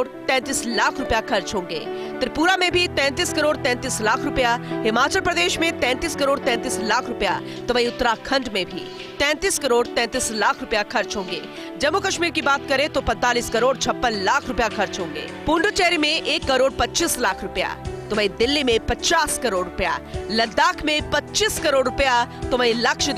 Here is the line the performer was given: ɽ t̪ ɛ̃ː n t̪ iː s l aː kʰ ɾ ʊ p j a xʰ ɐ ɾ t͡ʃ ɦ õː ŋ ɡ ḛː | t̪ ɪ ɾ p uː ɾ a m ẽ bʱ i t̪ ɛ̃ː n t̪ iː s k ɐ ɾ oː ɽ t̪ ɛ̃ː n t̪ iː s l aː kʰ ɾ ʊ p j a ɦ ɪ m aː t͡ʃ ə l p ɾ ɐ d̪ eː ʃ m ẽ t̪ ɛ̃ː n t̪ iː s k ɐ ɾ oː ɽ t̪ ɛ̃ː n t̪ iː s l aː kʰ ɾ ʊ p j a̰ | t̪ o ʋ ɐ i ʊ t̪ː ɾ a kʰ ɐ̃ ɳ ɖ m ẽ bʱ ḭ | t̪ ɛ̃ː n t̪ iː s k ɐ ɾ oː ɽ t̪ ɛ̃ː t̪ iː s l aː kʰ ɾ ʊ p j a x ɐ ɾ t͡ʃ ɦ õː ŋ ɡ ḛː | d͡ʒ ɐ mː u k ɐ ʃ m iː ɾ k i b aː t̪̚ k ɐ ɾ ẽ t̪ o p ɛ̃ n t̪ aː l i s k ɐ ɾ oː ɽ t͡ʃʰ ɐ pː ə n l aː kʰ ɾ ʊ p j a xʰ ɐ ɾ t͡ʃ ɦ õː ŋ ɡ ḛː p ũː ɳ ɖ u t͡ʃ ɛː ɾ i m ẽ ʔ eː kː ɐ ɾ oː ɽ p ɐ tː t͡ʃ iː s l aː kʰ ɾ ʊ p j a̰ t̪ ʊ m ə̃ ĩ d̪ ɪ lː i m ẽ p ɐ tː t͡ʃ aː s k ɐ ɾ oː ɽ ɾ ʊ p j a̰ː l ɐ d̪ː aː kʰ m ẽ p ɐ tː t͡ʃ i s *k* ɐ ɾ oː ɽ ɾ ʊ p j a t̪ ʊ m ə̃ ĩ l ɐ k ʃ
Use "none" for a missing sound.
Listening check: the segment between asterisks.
k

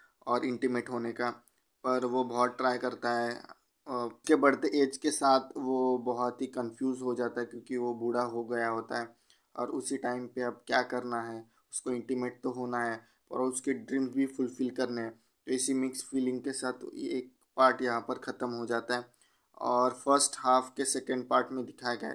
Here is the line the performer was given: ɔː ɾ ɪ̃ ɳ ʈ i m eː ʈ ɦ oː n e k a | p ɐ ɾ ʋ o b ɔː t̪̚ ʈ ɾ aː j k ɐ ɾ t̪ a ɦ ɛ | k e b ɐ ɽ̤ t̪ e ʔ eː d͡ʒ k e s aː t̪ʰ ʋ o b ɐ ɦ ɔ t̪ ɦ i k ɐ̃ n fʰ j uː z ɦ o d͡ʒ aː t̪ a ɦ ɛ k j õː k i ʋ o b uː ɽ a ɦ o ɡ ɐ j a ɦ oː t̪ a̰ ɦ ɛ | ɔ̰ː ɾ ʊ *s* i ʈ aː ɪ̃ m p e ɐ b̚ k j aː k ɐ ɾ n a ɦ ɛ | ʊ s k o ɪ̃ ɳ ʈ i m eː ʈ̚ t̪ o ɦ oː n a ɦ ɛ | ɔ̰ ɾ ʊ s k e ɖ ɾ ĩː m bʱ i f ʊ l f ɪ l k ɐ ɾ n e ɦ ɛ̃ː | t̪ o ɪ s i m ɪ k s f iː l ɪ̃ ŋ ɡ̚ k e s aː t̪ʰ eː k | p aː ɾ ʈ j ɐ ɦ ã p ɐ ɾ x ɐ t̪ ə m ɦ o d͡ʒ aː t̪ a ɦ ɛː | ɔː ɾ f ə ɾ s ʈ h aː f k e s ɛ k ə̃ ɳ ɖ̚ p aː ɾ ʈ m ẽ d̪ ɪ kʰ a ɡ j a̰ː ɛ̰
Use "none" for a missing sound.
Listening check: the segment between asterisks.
s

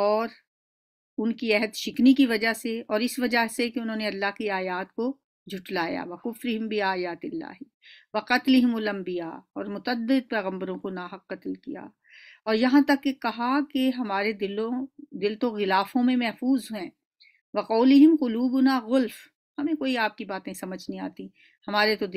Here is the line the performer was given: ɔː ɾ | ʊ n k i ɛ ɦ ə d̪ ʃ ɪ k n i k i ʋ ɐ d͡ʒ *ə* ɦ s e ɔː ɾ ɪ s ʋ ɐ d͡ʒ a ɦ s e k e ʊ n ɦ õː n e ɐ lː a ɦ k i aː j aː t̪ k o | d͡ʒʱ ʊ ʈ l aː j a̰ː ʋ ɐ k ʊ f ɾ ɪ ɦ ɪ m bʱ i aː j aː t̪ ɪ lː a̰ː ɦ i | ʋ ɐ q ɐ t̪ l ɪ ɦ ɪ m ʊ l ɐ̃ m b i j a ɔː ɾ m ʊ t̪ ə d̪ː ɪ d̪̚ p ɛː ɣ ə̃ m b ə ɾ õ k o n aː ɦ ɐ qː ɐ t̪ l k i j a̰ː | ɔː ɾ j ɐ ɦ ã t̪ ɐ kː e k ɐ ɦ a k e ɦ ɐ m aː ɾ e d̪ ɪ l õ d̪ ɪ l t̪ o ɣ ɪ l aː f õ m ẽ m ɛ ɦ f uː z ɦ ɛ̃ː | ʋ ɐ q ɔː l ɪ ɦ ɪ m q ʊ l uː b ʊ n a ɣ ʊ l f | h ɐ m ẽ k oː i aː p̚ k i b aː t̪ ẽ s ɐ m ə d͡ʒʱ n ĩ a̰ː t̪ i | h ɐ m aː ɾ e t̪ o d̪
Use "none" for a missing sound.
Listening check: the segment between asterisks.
a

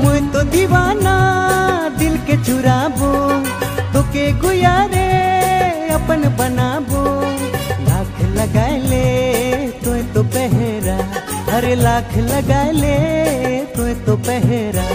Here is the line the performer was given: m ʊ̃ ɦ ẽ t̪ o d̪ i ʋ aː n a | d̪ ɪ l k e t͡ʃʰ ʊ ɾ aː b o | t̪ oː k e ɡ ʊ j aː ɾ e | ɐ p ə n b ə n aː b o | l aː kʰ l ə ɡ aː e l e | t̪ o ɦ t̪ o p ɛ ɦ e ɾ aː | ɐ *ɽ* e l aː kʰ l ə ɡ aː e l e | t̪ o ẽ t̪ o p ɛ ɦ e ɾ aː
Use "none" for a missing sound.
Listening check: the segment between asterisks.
ɾ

